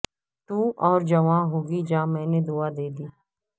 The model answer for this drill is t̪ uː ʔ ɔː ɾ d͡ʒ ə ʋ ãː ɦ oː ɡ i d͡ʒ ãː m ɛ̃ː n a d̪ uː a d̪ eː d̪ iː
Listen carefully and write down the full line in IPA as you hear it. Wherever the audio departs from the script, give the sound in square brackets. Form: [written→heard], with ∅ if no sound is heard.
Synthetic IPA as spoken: t̪ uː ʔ ɔː ɾ d͡ʒ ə ʋ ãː ɦ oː ɡ i d͡ʒ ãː m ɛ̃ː n [a→e] d̪ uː a d̪ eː d̪ iː

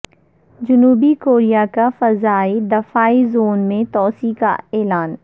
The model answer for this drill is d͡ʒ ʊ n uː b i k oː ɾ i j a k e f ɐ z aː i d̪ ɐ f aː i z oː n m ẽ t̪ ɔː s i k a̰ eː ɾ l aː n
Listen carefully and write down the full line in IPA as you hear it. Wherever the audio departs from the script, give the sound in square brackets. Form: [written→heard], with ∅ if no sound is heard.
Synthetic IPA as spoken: d͡ʒ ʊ n uː b i k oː ɾ i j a k [e→a] f ɐ z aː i d̪ ɐ f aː i z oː n m ẽ t̪ ɔː s i k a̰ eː [ɾ→∅] l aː n

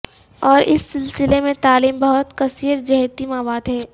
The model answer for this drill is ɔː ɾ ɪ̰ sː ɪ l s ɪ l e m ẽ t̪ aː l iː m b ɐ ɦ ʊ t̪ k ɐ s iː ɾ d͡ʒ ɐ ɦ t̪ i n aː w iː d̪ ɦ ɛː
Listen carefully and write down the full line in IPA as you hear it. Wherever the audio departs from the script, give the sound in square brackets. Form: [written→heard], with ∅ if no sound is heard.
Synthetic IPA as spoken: ɔː ɾ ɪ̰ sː ɪ l s ɪ l e m ẽ t̪ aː l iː m b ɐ ɦ ʊ t̪ k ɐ s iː ɾ d͡ʒ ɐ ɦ t̪ i [n→m] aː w [iː→aː] d̪ ɦ ɛː

